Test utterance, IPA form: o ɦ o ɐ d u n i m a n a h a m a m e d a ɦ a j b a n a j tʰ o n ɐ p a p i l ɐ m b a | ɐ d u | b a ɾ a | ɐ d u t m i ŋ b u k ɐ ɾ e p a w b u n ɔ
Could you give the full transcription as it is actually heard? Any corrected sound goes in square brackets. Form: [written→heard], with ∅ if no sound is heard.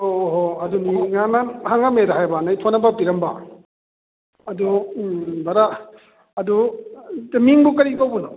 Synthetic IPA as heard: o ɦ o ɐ d u n i [m→ŋ] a n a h a [m→ŋ] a m e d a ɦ a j b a n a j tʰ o n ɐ [p→b] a p i [l→ɾ] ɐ m b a | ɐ d u | b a ɾ a | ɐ d u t m i ŋ b u k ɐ ɾ [e→i] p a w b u n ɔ

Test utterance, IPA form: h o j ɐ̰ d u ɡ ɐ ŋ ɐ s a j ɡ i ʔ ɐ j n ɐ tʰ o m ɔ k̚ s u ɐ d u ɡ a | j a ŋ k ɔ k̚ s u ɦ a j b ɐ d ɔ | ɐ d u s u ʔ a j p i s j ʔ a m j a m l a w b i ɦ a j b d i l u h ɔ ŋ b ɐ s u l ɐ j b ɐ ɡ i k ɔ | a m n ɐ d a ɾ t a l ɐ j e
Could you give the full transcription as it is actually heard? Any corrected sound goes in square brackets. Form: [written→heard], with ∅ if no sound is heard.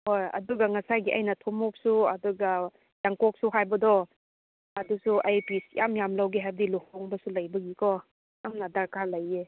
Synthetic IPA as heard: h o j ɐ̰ d u ɡ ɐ ŋ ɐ s a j ɡ i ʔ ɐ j n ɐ tʰ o m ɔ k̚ s u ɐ d u ɡ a | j a ŋ k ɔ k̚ s u ɦ a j b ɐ d ɔ | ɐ d u s u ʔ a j p i s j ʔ a m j a m l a w [b→ɡ] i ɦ a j b d i l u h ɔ ŋ b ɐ s u l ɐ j b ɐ ɡ i k ɔ | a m n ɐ d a ɾ [t→k] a l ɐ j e

